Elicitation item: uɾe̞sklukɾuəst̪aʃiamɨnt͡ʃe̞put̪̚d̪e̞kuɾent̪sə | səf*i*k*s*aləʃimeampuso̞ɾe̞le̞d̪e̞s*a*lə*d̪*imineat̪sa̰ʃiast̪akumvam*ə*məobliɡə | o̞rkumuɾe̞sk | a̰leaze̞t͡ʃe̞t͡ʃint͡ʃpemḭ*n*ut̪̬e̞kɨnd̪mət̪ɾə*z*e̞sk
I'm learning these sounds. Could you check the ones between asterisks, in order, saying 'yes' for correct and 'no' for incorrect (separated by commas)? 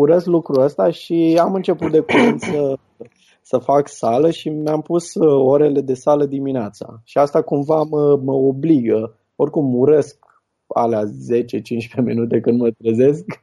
no, yes, yes, yes, yes, yes, yes